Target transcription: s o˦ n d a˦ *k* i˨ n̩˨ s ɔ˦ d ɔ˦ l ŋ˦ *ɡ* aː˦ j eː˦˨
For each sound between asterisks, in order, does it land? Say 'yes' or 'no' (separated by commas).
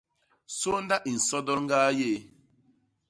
no, yes